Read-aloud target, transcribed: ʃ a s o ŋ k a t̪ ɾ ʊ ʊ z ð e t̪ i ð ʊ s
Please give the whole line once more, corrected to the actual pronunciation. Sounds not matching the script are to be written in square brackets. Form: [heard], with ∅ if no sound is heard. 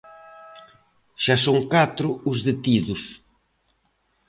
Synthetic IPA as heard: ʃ a s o ŋ k a t̪ ɾ ʊ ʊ z ð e t̪ i ð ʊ s

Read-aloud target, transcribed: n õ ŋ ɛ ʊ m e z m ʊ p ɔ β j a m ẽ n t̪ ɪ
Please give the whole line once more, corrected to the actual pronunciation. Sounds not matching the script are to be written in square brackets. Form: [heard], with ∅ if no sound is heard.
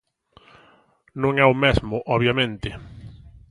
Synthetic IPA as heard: n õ ŋ ɛ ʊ m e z m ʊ [ʔ] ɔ β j a m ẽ n t̪ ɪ

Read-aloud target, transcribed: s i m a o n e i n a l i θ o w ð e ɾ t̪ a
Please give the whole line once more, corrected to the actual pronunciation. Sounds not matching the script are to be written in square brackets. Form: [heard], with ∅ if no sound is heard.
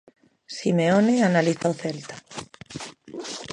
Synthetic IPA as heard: s i m [e] o n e [a] n a l i θ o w [θ] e [l] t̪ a

